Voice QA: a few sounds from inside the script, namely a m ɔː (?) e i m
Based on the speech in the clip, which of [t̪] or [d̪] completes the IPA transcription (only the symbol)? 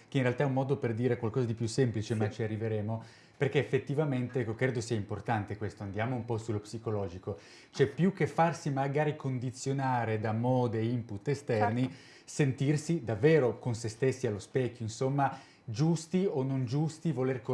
d̪